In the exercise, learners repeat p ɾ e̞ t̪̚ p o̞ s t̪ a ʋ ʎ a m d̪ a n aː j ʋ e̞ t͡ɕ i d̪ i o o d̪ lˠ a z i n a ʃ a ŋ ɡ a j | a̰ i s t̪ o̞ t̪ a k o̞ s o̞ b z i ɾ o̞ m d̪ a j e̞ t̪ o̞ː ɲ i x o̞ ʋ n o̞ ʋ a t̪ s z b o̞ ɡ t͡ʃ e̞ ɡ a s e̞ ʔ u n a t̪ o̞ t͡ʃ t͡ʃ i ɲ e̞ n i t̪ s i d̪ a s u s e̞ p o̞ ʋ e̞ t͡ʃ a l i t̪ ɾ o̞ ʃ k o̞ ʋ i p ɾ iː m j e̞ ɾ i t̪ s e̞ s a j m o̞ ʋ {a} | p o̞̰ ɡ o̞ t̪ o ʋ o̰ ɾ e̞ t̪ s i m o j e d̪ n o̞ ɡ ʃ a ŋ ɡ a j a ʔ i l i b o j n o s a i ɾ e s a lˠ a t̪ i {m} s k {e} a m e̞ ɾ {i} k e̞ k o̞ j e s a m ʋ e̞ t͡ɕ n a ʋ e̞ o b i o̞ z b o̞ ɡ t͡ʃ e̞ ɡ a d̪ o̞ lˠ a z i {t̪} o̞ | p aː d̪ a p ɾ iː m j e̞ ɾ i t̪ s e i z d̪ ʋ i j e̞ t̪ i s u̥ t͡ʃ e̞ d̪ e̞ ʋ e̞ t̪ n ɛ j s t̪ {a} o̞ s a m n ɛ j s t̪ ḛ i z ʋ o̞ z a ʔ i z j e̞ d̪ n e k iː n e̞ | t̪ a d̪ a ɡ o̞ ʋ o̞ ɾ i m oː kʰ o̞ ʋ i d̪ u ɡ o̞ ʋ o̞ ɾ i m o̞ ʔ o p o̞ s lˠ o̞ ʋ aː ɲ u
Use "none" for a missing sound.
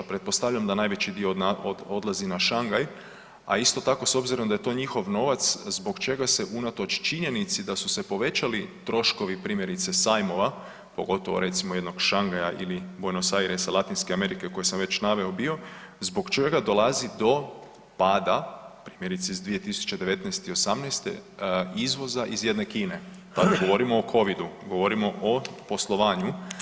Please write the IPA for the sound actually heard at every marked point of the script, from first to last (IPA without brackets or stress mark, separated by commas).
a, n, e, i, d̪, i